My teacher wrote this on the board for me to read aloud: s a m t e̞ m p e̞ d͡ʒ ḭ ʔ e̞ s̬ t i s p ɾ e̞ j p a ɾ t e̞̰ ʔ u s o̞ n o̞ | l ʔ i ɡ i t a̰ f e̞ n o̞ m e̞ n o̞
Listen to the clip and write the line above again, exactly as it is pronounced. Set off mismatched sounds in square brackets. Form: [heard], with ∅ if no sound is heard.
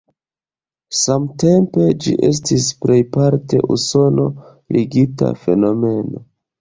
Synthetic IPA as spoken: s a m t e̞ m p e̞ d͡ʒ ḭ ʔ e̞ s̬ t i s p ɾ e̞ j p a ɾ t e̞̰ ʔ u s o̞ n o̞ | l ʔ i ɡ i t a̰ f e̞ n o̞ m e̞ n o̞